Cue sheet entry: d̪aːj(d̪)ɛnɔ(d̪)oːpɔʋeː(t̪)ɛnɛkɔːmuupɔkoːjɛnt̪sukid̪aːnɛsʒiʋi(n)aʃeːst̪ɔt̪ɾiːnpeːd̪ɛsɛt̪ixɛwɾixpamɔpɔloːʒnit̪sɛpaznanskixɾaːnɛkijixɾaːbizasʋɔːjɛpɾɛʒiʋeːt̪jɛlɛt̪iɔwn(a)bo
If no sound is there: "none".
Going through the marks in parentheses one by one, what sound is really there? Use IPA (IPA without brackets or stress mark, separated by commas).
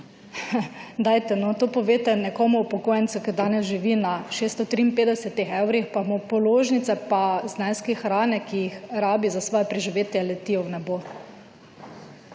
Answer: t̪, t̪, t̪, n, ɛ